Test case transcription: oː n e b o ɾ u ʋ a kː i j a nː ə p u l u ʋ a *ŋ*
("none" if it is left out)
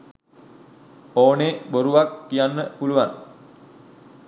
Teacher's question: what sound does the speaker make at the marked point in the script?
n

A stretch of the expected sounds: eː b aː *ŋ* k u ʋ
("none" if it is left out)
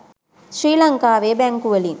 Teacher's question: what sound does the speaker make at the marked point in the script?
ŋ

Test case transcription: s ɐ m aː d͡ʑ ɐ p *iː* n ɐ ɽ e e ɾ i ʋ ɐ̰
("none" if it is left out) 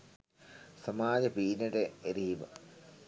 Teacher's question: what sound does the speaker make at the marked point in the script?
iː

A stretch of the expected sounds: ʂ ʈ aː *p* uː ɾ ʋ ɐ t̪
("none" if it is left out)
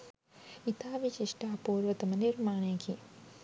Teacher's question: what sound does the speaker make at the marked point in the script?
p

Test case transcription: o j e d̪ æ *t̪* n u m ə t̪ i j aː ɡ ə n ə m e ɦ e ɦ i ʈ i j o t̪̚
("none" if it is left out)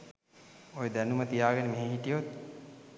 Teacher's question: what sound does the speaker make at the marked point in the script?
none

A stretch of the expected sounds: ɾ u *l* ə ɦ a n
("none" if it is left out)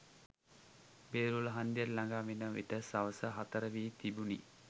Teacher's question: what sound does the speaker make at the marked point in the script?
l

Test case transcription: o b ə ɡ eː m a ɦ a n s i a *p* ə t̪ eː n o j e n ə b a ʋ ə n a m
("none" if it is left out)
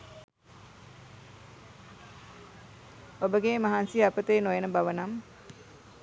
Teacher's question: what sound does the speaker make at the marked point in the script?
p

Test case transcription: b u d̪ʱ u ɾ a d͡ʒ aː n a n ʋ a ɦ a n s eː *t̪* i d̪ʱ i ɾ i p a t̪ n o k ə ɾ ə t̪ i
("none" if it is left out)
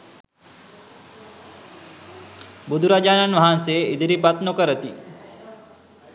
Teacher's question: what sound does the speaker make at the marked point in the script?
none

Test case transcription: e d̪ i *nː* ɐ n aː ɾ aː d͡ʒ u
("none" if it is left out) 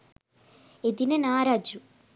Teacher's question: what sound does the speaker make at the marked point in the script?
n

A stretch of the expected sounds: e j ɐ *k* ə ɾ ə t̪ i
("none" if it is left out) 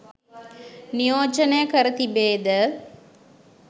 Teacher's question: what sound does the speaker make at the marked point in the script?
k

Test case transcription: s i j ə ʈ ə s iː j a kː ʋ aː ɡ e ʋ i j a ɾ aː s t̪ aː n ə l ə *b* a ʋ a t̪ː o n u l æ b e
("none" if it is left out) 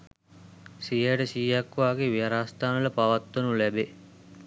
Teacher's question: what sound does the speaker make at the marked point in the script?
p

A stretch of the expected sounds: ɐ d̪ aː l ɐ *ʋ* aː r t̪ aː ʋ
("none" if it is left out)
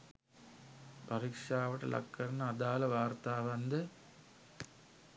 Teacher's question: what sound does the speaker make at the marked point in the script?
ʋ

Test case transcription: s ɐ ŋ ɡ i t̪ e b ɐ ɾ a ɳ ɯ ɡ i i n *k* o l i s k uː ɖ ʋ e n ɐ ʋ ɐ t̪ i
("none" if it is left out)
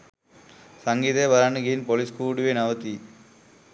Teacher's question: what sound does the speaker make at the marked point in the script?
p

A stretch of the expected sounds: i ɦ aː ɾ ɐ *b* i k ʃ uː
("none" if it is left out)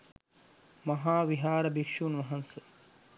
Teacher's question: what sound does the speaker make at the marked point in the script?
b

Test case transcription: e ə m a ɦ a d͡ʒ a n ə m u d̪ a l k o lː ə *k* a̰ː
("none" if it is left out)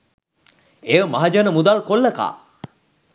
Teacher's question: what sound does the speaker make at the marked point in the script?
k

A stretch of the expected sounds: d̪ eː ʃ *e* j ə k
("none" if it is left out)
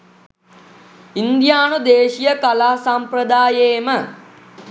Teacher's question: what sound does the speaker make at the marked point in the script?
i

